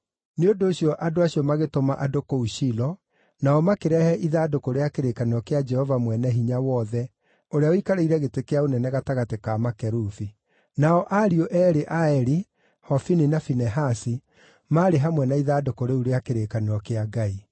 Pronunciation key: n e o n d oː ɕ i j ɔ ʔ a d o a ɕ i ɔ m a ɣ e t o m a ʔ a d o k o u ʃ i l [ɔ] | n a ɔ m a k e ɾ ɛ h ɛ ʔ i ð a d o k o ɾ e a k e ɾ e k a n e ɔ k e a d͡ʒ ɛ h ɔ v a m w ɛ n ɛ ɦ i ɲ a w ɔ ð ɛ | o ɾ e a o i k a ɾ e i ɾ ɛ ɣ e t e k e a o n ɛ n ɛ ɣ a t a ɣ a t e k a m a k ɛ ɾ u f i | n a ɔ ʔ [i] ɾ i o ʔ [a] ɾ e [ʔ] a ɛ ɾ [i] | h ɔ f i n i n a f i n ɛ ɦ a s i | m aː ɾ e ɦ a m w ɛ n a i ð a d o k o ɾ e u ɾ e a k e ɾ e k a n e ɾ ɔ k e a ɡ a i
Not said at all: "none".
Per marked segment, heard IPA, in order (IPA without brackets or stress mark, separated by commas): ɔ, a, ɛ, ʔ, i